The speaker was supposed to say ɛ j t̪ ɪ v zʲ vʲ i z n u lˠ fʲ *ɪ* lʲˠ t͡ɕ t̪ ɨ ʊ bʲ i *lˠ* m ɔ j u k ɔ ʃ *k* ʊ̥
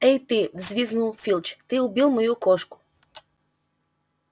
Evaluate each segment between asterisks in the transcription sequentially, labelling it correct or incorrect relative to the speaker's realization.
incorrect: i, correct, correct

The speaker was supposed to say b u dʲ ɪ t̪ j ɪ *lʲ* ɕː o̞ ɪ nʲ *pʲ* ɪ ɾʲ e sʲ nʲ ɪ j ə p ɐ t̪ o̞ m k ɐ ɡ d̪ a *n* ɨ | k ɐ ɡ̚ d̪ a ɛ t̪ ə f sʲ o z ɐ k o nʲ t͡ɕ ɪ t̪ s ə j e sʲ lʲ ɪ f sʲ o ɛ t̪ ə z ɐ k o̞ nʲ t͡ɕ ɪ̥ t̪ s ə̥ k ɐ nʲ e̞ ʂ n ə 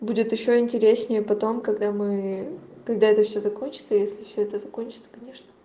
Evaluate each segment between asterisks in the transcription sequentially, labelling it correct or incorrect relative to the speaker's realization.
incorrect: none, incorrect: tʲ, incorrect: m

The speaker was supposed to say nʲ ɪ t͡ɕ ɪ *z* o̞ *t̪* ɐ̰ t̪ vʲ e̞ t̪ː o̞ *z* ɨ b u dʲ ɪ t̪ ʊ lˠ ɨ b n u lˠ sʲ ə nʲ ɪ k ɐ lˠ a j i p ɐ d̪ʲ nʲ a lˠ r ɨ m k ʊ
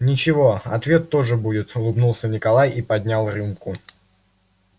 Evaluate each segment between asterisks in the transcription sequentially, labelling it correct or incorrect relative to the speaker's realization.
incorrect: v, incorrect: none, incorrect: ʐ

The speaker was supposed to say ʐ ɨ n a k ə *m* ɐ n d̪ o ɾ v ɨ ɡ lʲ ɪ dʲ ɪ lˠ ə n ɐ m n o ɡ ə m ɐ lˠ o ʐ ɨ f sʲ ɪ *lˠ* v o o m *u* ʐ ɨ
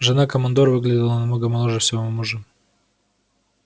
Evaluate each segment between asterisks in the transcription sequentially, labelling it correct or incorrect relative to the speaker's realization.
correct, incorrect: none, correct

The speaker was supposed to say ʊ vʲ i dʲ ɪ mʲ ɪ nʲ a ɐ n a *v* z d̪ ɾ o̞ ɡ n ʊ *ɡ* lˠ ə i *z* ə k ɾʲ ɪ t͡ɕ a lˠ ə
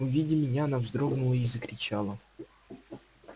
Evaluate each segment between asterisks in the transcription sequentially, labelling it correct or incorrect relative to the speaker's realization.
correct, incorrect: none, correct

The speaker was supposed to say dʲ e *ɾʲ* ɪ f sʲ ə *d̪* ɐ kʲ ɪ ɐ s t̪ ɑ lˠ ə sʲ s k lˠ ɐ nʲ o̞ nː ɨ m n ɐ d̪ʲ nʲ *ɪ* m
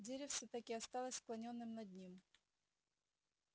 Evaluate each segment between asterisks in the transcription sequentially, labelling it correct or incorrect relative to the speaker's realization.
correct, incorrect: t̪, incorrect: i

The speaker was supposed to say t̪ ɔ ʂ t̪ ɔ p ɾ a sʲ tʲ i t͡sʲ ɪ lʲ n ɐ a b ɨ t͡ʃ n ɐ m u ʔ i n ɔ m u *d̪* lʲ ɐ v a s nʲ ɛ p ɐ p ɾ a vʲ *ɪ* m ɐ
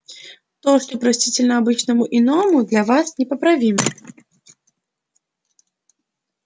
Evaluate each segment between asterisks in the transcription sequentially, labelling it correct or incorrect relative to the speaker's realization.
correct, incorrect: i

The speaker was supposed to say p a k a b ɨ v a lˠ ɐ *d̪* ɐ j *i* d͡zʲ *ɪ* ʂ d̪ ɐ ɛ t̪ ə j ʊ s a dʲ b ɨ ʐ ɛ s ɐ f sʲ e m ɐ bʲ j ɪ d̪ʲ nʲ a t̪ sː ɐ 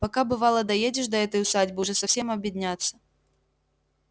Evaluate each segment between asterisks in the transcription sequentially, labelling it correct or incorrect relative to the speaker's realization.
correct, incorrect: e, correct

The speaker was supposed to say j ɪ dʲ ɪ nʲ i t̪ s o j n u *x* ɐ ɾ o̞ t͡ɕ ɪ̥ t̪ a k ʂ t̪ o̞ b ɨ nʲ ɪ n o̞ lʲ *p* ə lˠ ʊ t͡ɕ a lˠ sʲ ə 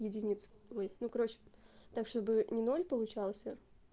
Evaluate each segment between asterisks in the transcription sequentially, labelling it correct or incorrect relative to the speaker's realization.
incorrect: k, correct

